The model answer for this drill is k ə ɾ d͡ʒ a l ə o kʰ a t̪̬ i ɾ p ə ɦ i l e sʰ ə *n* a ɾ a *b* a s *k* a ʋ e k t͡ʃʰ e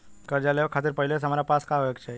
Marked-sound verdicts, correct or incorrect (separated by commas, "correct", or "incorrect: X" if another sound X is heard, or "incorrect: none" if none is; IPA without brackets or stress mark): incorrect: m, incorrect: p, correct